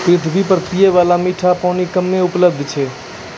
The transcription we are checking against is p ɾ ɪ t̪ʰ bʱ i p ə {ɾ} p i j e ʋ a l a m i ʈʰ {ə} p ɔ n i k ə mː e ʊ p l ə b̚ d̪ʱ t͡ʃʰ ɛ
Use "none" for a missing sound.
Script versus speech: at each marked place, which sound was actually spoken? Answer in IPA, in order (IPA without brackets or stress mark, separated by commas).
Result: ɾ, a